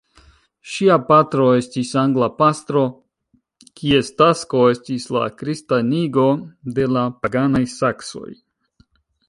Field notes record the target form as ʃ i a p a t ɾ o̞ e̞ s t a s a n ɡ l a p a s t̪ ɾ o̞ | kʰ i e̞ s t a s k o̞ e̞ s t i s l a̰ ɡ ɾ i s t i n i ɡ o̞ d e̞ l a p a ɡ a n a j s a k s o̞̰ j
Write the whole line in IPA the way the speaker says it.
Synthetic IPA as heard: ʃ i a p a t ɾ o̞ e̞ s t i s a ŋ ɡ l a p a s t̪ ɾ o̞ | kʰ i e̞ s t a s k o̞ e̞ s t i s l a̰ k ɾ i s t a n i ɡ o̞ d e̞ l a p a ɡ a n a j s a k s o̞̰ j